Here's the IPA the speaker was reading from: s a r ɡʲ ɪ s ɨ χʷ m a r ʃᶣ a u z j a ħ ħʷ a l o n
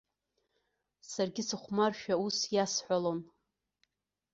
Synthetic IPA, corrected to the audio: s a r ɡʲ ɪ s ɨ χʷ m a r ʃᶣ a u s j a s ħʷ a l o n